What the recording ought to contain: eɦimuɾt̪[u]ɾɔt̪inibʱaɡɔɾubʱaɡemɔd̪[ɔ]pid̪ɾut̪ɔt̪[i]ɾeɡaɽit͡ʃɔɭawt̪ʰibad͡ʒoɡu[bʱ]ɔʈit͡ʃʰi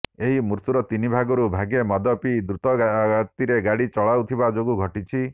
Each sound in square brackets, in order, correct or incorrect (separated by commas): correct, correct, correct, incorrect